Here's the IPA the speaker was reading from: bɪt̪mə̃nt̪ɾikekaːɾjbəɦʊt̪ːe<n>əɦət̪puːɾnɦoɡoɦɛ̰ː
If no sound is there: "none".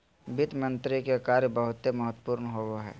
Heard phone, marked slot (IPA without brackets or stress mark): m